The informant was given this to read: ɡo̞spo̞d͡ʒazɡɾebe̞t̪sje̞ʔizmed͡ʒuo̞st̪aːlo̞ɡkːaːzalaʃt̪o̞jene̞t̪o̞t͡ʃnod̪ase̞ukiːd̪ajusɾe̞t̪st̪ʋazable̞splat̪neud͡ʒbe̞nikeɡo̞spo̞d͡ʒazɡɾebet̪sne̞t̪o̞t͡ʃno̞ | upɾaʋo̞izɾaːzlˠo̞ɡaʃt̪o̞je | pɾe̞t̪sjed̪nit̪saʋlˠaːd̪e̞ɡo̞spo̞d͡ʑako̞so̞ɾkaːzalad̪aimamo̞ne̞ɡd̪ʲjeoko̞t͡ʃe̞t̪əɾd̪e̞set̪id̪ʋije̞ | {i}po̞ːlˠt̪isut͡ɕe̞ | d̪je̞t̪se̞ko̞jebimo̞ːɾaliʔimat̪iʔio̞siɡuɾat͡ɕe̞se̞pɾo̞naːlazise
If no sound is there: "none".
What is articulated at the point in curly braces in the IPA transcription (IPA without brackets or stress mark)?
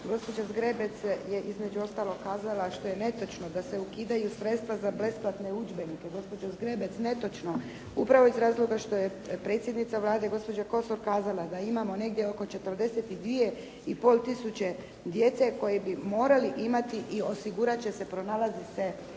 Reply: i